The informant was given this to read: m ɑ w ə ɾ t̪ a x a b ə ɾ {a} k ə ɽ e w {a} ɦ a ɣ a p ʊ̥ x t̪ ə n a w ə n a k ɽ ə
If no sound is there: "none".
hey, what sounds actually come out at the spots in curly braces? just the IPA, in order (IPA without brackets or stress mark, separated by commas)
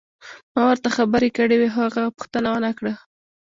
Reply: e, e